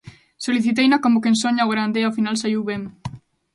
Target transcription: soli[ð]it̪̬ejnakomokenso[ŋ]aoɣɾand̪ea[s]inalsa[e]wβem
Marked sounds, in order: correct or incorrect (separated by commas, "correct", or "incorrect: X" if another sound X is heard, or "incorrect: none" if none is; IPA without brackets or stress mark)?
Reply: incorrect: θ, incorrect: ɲ, incorrect: f, incorrect: i